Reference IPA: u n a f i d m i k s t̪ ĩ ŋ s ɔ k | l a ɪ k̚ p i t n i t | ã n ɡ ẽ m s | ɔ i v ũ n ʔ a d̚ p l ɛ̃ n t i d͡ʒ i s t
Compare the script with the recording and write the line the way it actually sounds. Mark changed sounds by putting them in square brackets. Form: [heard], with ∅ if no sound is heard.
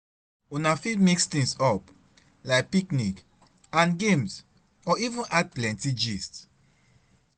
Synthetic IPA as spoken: u n a f i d m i k s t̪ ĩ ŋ s ɔ [p] | l a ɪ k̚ p i [k] n i [k] | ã n ɡ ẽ m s | ɔ i v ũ n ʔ a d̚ p l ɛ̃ n t i d͡ʒ i s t

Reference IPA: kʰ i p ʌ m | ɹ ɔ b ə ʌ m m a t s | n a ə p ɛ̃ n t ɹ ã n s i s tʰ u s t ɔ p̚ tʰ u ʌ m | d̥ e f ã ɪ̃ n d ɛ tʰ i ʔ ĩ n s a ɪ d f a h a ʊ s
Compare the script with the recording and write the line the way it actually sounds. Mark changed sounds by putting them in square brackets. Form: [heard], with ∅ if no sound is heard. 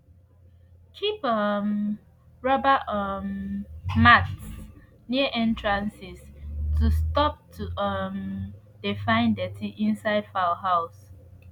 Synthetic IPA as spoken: kʰ i p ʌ m | ɹ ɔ b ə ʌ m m a t s | n [i] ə [ʔ] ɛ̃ n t ɹ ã n s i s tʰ u s t ɔ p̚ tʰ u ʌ m | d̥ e f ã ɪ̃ n d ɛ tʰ i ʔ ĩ n s a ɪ d f a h a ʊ s

